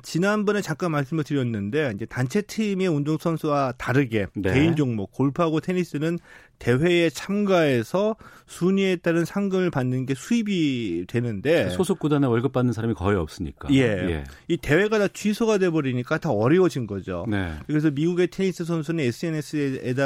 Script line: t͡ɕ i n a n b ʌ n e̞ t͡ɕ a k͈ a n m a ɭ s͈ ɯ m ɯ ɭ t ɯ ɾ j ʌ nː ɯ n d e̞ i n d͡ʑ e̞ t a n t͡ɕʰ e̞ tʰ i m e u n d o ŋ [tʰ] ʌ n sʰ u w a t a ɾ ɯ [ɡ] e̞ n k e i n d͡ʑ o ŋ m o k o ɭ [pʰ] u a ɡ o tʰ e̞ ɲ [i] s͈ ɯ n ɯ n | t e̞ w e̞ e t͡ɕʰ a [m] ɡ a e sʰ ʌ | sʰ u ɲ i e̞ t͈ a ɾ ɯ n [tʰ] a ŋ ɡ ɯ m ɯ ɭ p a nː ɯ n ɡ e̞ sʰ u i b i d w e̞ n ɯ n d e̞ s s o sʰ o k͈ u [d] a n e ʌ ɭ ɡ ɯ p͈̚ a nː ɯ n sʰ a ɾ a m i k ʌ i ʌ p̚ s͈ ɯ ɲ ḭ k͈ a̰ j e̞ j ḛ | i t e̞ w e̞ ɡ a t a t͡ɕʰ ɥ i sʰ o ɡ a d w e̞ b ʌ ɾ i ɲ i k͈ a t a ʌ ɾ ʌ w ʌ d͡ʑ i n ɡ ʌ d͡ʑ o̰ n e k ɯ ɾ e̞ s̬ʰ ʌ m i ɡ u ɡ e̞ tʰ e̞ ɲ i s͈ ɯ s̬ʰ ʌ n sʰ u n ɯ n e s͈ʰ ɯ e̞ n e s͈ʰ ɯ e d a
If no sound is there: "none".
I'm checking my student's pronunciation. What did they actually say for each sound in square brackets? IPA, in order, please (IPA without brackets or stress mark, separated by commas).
sʰ, ɡ, pʰ, i, m, sʰ, d